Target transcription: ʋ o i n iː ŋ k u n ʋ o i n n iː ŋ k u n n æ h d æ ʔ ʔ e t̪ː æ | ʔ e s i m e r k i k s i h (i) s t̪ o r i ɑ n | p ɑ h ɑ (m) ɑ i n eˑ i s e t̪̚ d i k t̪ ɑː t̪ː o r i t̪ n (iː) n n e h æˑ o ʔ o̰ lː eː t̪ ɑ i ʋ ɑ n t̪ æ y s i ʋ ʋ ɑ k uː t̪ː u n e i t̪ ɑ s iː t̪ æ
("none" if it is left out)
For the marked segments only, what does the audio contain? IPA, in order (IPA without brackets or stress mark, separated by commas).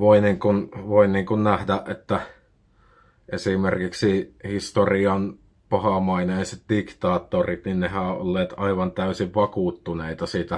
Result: i, m, i